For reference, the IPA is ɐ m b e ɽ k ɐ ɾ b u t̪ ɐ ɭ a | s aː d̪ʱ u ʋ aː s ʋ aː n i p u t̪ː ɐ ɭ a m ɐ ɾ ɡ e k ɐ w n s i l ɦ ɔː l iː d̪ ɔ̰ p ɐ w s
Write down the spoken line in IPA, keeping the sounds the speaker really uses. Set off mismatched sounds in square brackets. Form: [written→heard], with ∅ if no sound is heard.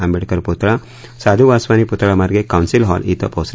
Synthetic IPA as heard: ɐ m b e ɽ k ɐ ɾ [b→p] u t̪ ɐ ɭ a | s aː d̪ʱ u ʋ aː s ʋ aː n i p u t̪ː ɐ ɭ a m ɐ ɾ ɡ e k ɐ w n s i l ɦ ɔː l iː [d̪→t̪] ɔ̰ p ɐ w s